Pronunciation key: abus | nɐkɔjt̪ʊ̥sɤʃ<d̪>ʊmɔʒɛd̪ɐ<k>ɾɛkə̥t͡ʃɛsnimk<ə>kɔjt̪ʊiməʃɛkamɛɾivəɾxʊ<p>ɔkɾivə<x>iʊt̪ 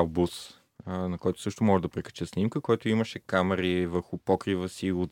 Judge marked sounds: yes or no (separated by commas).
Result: no, no, yes, yes, no